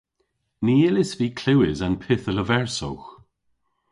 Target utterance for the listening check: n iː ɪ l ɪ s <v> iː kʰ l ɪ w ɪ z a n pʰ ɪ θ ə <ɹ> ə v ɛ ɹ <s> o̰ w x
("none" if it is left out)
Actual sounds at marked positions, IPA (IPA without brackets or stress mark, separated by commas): v, l, s